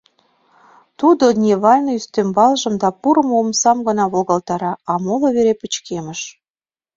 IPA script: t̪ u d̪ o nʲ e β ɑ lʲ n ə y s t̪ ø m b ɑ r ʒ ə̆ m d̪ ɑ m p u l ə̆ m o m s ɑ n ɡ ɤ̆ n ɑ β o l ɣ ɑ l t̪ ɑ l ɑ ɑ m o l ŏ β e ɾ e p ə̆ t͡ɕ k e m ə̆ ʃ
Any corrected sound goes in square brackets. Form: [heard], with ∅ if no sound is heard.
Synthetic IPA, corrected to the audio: t̪ u d̪ o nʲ e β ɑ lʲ n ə y s t̪ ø m b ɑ [l] ʒ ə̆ m d̪ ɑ [∅] p u [ɾ] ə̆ m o m s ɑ [m] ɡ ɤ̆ n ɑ β o l ɣ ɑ l t̪ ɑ [ɾ] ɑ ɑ m o l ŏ β e ɾ e p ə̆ t͡ɕ k e m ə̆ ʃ